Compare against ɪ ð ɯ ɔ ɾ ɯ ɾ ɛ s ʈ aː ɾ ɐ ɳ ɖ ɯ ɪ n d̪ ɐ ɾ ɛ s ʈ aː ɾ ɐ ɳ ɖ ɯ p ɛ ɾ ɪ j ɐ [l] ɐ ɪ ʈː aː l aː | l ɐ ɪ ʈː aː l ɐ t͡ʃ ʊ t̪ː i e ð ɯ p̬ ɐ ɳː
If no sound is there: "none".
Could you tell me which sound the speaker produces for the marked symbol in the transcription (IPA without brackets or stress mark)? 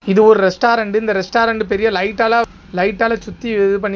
l